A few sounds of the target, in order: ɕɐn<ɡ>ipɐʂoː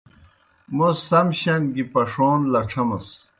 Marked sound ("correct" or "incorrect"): correct